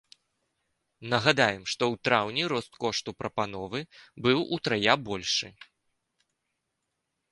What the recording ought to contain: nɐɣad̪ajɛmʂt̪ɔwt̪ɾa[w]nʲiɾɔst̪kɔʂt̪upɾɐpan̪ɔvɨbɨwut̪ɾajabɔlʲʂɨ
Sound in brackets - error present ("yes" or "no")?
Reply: no